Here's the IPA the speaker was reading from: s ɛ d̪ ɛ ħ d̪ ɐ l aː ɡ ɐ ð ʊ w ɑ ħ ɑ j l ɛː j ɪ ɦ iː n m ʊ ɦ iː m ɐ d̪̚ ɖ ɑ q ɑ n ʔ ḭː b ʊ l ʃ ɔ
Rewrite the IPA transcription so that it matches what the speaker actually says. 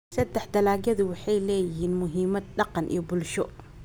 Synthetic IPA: s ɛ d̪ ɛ ħ d̪ ɐ l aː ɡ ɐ ð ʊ w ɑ ħ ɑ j l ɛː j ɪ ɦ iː n m ʊ ɦ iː m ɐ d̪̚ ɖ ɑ q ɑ n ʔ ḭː b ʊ l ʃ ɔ